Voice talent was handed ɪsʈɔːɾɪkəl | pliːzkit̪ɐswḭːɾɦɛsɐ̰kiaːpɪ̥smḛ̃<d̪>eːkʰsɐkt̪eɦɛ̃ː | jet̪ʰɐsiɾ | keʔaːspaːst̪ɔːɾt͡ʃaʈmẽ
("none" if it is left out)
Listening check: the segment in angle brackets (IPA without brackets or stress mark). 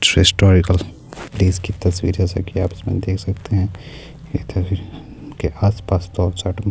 d̪